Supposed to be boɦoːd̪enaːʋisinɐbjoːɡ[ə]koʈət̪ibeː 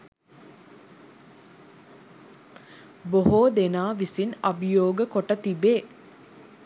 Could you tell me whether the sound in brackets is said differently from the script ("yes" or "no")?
no